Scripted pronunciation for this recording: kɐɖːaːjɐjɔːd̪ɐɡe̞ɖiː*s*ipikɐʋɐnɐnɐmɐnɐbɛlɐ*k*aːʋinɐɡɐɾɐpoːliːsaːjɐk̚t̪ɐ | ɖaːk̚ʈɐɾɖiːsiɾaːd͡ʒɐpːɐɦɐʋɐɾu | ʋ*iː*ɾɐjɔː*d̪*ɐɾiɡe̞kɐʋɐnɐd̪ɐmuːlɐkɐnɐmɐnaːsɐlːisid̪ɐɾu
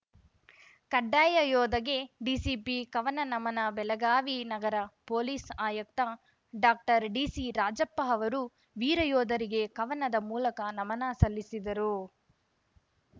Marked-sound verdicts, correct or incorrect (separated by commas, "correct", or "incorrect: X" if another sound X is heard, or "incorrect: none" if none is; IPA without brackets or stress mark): correct, incorrect: ɡ, correct, correct